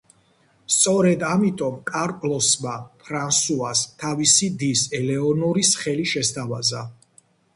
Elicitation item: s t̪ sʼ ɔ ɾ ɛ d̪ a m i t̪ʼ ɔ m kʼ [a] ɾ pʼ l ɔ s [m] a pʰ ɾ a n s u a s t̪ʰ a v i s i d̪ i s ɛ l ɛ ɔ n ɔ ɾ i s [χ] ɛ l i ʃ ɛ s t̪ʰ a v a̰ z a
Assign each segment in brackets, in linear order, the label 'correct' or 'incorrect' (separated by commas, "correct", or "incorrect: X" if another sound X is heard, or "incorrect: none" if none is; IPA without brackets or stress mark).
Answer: correct, correct, correct